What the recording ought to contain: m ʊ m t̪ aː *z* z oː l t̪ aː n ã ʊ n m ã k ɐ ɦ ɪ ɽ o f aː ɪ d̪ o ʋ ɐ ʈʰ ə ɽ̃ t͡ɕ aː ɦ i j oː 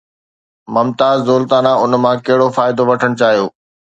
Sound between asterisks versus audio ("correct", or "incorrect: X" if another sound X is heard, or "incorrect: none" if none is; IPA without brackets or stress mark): correct